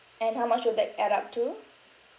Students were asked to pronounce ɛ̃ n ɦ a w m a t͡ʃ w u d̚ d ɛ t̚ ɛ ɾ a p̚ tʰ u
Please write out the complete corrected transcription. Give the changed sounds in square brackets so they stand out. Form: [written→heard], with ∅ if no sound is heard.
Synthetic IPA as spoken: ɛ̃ n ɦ a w m a t͡ʃ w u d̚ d ɛ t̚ ɛ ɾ a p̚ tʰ u